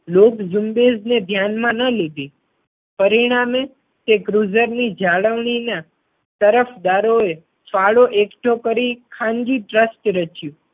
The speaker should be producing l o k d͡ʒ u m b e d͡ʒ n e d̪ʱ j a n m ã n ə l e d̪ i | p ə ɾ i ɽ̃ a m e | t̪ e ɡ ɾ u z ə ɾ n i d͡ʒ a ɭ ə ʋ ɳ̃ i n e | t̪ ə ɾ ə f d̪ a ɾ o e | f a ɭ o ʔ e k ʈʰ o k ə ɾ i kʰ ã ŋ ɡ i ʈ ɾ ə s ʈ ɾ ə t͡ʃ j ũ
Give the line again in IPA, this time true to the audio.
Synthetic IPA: l o k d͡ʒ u m b e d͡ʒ n e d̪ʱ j a n m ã n ə l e d̪ i | p ə ɾ i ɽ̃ a m e | t̪ e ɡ ɾ u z ə ɾ n i d͡ʒ a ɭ ə ʋ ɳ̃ i n a | t̪ ə ɾ ə f d̪ a ɾ o e | f a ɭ o ʔ e k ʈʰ o k ə ɾ i kʰ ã ŋ ɡ i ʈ ɾ ə s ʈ ɾ ə t͡ʃ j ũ